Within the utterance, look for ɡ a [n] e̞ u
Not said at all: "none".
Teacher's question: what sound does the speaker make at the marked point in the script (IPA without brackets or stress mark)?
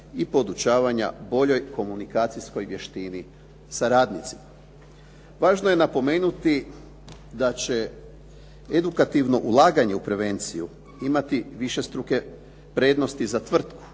ɲ